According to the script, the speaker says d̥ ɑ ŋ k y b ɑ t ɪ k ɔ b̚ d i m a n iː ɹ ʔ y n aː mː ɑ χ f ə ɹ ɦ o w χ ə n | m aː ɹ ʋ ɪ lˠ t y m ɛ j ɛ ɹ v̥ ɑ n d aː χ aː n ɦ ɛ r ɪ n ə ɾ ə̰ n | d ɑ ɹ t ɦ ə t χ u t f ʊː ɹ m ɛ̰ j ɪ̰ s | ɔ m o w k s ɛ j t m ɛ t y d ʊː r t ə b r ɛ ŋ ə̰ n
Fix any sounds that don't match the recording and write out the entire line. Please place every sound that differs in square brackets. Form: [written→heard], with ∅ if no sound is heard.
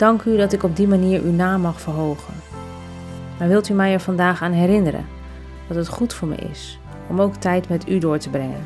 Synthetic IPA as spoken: d̥ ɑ ŋ k y [b→d] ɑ t ɪ k ɔ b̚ d i m a n iː ɹ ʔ y n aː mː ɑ χ f ə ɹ ɦ o w χ ə n | m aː ɹ ʋ ɪ lˠ t y m ɛ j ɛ ɹ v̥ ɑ n d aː χ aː n ɦ ɛ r ɪ n ə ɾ ə̰ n | d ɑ [ɹ→∅] t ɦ ə t χ u t f ʊː ɹ m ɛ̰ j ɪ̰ s | ɔ m o w k [s→t] ɛ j t m ɛ t y d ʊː [r→ɹ] t ə b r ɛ ŋ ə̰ n